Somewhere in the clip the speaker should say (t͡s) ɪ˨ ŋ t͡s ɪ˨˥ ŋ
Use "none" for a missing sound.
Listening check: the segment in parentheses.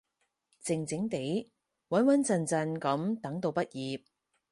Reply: t͡s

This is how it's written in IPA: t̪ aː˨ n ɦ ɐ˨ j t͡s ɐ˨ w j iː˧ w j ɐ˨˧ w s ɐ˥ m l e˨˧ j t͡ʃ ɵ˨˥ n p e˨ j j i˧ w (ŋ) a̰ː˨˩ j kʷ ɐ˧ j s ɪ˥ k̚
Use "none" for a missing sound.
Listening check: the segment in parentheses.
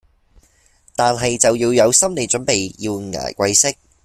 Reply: ŋ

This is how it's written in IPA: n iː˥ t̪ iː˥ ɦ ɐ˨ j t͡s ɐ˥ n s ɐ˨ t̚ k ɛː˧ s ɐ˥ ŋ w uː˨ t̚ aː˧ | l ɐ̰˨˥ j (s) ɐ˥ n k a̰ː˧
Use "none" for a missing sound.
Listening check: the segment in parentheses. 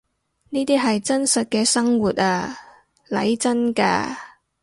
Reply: t͡s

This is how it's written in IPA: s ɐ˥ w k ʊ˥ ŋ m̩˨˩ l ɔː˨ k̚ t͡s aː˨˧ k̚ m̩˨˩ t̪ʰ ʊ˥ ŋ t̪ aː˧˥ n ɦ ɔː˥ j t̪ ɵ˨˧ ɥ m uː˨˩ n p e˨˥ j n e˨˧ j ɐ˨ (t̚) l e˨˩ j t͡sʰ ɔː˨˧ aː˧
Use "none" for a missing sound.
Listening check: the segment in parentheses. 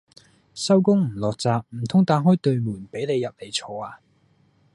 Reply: p̚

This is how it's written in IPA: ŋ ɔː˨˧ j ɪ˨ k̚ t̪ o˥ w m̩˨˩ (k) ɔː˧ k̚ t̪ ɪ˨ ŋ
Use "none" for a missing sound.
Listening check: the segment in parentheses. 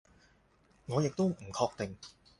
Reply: kʰ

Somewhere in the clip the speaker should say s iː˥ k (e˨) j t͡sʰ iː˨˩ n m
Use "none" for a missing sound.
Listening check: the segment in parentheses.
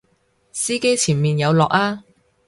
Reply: e˥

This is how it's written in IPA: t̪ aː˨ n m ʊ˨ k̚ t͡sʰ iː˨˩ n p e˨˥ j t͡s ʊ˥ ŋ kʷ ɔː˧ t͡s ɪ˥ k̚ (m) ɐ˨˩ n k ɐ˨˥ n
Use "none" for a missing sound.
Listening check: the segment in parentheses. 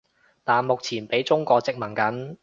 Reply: m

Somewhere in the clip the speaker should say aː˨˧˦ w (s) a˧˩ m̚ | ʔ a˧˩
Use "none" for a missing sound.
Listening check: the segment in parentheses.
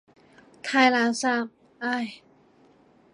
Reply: s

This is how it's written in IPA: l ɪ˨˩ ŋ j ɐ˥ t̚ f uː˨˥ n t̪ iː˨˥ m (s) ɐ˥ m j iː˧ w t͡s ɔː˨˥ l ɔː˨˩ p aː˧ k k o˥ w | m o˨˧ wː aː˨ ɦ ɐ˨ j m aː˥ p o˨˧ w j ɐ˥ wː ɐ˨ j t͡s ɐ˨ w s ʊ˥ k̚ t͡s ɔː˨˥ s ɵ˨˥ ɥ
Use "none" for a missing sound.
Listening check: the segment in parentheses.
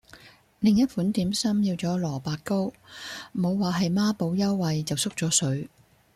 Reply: s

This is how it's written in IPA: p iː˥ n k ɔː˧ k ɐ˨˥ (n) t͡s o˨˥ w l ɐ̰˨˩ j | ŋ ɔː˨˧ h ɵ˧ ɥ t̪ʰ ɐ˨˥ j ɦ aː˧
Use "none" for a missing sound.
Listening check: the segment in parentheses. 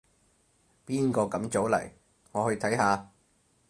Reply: m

